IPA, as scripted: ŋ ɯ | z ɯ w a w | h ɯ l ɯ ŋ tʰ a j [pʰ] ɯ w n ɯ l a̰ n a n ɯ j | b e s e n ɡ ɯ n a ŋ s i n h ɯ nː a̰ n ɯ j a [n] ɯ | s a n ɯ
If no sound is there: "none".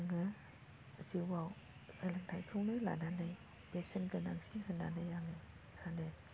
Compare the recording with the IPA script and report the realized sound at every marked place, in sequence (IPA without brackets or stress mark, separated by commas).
kʰ, ŋ